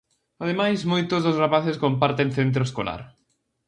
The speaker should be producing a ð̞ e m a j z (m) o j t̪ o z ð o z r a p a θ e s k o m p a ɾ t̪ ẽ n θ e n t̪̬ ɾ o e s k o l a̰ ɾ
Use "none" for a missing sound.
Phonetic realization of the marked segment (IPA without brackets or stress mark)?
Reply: m